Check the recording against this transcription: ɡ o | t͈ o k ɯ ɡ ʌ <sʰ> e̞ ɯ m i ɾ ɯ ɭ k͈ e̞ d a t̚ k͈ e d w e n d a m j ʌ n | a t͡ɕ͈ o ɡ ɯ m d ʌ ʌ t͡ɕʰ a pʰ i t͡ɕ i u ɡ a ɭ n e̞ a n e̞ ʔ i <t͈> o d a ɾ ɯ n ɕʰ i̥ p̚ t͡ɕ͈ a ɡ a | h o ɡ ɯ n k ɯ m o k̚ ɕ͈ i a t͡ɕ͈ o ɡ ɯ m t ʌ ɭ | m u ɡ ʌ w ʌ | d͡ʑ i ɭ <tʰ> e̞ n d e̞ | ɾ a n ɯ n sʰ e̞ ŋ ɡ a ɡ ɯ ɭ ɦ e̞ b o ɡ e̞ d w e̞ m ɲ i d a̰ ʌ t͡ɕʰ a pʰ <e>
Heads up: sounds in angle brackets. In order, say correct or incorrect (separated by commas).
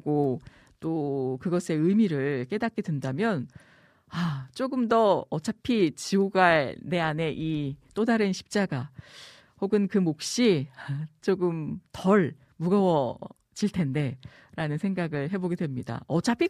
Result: correct, correct, correct, incorrect